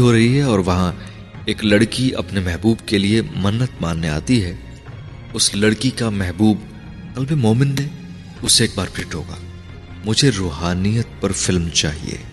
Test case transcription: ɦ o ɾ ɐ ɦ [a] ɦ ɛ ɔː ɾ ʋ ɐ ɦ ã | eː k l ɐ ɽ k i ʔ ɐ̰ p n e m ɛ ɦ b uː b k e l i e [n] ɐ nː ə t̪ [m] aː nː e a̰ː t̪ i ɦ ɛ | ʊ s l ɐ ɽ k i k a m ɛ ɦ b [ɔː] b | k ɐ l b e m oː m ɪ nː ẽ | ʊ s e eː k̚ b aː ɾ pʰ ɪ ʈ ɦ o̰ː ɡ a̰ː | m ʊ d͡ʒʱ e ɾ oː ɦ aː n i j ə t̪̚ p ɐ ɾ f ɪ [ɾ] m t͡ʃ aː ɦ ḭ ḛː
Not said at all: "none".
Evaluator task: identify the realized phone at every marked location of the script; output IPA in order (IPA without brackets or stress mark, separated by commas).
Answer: i, m, m, uː, l